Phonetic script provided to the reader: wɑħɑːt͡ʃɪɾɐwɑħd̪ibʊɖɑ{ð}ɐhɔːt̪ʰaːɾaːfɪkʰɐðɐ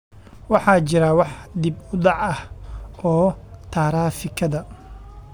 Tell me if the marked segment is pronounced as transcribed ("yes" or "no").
no